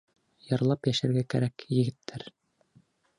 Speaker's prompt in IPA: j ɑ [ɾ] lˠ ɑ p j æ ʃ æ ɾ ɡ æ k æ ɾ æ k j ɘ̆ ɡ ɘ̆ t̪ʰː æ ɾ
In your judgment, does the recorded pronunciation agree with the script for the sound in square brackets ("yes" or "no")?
yes